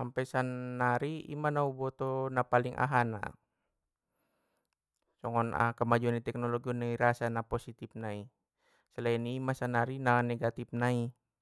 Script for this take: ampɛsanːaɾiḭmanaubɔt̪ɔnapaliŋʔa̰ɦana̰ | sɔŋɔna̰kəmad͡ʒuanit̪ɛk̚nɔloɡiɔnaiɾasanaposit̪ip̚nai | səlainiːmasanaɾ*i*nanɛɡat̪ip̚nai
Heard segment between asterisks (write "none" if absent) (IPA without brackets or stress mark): i